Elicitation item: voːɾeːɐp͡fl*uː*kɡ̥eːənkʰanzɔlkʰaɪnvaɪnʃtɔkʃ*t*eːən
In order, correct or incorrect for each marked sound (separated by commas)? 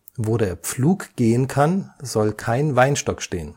correct, correct